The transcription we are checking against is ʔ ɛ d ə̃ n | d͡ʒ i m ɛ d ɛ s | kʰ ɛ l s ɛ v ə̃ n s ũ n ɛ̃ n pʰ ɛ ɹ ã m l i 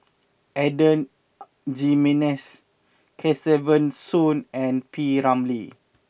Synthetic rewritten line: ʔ ɛ d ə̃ n | d͡ʒ i m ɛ n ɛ s | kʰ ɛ s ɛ v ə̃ n s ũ n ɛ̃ n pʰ i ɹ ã m l i